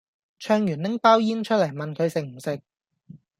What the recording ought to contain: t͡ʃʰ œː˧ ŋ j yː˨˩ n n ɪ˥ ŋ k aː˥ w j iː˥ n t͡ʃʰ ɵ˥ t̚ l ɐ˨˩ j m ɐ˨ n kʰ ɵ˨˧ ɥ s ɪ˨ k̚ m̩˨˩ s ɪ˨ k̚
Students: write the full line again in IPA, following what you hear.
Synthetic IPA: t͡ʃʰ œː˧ ŋ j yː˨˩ n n ɪ˥ ŋ p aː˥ w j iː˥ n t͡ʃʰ ɵ˥ t̚ l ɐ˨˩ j m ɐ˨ n kʰ ɵ˨˧ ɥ s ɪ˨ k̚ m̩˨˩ s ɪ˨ k̚